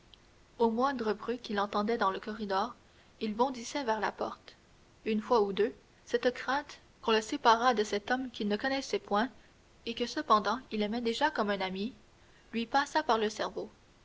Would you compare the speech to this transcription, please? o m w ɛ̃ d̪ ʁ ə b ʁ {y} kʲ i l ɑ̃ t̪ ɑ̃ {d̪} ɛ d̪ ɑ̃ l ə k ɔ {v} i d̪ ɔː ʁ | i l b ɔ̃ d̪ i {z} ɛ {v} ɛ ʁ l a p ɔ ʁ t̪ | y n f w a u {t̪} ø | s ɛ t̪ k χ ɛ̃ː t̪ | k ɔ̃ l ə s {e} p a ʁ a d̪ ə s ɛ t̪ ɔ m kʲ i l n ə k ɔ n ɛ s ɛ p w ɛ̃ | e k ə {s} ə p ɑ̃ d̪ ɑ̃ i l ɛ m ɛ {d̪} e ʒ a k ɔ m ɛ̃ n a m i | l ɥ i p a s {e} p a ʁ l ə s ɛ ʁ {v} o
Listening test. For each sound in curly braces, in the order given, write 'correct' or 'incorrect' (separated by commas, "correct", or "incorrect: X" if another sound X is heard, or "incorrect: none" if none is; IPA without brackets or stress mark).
correct, correct, incorrect: ʁ, incorrect: s, correct, incorrect: d̪, correct, correct, correct, incorrect: a, correct